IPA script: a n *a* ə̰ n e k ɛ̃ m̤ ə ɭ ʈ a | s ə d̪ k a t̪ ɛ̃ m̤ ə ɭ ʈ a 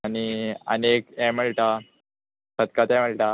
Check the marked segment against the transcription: incorrect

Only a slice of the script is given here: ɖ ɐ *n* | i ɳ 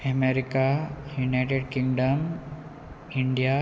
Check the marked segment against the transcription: incorrect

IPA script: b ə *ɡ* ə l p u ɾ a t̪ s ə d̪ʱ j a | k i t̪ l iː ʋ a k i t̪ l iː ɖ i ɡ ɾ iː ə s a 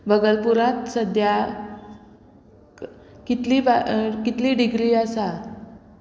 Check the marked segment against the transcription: correct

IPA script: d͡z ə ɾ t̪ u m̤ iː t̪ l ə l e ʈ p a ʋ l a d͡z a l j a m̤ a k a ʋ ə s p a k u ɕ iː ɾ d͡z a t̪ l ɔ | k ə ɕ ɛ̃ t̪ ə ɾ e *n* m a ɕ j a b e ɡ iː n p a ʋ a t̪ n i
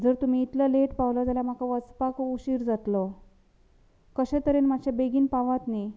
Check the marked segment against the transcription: correct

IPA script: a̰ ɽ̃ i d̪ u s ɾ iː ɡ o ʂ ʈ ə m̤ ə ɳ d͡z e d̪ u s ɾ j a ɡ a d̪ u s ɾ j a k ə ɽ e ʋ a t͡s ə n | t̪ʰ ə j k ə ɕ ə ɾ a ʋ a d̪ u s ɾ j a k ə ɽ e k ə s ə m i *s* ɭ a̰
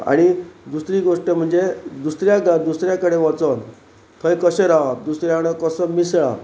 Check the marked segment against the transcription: correct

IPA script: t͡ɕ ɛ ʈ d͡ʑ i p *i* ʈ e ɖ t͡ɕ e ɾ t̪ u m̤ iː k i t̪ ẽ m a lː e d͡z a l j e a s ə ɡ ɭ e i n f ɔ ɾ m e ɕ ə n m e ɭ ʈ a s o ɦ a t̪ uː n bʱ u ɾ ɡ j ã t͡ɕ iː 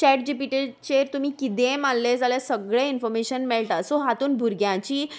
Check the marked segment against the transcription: correct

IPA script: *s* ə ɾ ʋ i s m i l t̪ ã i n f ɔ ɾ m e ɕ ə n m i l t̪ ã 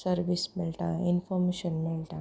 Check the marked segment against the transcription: correct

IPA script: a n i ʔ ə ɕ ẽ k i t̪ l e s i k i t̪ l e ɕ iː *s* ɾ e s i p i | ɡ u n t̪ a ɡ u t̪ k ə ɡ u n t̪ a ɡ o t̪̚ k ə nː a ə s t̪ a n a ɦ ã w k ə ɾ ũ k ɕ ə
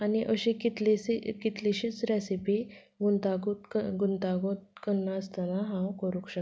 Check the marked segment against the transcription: incorrect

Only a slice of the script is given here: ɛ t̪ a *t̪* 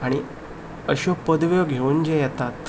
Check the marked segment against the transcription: correct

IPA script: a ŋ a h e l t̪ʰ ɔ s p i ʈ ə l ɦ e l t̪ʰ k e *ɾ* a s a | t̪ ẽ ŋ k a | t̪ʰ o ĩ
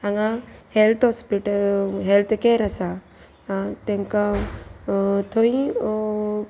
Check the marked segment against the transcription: correct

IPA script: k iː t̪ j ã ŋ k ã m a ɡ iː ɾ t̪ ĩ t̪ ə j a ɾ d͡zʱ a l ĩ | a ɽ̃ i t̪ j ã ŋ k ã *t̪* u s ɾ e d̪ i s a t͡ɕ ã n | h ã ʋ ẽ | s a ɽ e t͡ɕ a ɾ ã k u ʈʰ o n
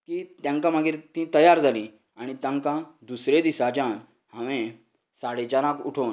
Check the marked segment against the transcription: incorrect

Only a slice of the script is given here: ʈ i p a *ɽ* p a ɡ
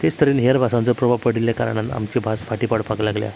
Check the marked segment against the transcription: correct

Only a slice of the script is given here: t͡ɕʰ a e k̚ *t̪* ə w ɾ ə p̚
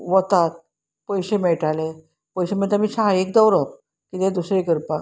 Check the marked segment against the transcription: incorrect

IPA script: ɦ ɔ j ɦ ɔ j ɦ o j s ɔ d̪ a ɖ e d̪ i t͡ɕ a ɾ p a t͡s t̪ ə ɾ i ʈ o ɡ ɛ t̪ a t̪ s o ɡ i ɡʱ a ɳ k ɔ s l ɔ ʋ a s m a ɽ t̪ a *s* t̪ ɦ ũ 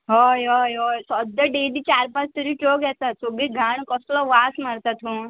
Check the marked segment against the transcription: incorrect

